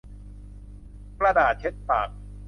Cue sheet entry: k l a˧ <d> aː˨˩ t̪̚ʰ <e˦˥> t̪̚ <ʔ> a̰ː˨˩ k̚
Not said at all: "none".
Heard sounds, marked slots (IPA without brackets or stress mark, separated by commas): d, e˦˥, p